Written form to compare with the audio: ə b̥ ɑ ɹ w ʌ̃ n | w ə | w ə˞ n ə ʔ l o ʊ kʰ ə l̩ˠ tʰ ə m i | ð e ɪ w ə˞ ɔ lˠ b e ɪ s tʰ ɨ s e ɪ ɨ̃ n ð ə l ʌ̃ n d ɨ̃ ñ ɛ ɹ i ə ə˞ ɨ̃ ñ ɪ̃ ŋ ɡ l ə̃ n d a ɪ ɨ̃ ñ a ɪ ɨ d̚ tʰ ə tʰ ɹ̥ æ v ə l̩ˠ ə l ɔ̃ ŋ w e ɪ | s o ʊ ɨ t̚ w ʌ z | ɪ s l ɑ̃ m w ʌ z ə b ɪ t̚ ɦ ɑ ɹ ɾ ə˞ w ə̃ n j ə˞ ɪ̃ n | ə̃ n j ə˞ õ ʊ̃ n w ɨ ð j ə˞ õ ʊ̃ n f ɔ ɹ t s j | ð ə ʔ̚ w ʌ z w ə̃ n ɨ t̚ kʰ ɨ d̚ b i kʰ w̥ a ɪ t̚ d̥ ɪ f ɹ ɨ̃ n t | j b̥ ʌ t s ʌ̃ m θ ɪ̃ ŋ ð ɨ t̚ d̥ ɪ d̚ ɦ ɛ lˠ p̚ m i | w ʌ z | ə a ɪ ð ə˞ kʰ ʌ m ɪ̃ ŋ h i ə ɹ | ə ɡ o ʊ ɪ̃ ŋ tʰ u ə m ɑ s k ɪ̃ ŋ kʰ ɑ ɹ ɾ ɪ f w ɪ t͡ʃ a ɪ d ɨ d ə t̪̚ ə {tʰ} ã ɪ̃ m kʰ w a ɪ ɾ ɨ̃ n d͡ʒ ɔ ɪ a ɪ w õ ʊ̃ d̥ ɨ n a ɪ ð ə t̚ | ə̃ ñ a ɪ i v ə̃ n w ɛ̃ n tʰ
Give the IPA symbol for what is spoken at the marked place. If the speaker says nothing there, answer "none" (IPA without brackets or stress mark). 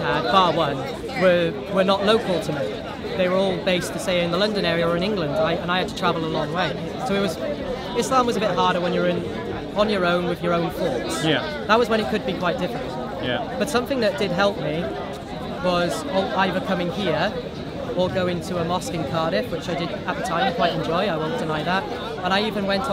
tʰ